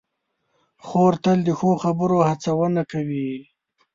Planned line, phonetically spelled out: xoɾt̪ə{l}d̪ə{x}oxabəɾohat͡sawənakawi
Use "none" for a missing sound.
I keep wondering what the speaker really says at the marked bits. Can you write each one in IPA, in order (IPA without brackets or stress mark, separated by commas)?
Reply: l, x